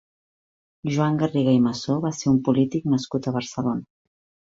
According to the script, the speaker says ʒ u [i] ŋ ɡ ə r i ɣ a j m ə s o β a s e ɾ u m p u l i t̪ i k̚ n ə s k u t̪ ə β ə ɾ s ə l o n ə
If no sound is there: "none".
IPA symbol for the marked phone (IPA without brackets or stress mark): a